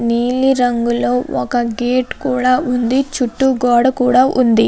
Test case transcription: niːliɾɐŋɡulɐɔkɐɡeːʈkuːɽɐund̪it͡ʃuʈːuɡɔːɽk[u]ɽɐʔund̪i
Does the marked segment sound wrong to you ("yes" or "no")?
yes